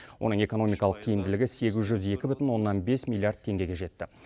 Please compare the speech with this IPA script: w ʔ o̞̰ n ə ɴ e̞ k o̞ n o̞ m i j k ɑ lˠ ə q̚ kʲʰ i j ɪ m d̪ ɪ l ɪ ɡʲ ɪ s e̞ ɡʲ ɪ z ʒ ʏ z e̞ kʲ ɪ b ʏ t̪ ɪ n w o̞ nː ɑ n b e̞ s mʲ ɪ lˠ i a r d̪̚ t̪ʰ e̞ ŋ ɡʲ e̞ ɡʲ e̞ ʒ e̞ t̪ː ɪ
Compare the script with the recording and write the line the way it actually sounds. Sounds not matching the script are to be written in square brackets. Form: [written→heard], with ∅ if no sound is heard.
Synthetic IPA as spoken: w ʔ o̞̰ n ə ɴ e̞ k o̞ n o̞ m i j k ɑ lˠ ə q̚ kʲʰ i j ɪ m d̪ ɪ l ɪ ɡʲ ɪ s e̞ ɡʲ ɪ z ʒ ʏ z e̞ kʲ ɪ b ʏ t̪ ɪ n w o̞ nː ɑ n b e̞ s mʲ [ɪ→i] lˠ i a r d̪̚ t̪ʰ e̞ ŋ ɡʲ e̞ ɡʲ e̞ ʒ e̞ t̪ː ɪ